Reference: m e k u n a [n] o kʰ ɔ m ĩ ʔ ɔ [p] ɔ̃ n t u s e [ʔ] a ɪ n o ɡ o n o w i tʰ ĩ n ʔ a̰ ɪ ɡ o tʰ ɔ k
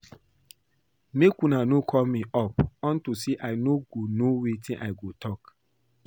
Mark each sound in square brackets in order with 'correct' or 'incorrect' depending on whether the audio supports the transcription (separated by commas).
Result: correct, correct, correct